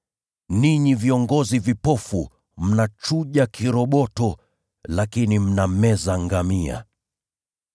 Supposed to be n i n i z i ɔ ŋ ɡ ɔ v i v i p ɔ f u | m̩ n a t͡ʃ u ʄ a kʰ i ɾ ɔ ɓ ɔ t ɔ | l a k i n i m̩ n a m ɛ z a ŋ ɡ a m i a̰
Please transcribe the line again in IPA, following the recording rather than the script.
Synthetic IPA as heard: n i ɲ i v i ɔ ŋ ɡ ɔ z i v i p ɔ f u | m̩ n a t͡ʃ u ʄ a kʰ i ɾ ɔ ɓ ɔ t ɔ | l a k i n i m̩ n a m ɛ z a ŋ ɡ a m i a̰